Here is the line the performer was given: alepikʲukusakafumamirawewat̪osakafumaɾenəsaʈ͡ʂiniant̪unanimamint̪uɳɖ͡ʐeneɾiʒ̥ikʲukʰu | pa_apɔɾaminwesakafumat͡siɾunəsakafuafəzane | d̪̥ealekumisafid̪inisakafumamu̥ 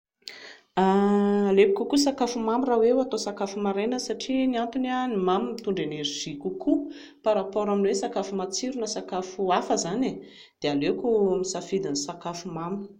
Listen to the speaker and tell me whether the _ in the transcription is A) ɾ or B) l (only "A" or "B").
A